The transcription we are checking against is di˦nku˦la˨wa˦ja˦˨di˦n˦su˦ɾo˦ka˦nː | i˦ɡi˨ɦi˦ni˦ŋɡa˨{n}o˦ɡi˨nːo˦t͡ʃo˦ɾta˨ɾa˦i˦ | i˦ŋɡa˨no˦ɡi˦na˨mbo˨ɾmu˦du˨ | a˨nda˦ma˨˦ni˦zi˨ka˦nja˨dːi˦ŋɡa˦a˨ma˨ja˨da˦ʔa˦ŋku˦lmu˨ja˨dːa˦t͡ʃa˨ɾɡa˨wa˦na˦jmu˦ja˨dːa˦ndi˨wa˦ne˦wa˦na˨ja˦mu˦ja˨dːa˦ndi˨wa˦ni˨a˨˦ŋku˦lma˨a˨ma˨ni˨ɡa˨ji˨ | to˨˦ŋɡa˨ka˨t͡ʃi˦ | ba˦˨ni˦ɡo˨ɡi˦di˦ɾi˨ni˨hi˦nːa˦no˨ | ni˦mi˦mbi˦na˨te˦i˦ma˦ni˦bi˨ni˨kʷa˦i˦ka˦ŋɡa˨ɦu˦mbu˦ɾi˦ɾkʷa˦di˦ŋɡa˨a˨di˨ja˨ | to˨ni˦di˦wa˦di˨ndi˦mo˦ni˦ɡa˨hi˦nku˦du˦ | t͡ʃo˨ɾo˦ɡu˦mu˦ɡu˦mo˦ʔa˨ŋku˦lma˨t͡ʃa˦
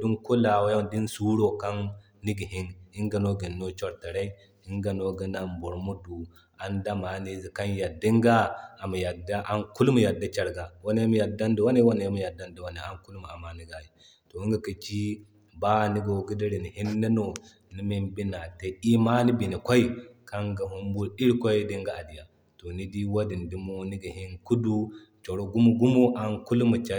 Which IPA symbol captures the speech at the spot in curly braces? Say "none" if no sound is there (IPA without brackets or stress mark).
n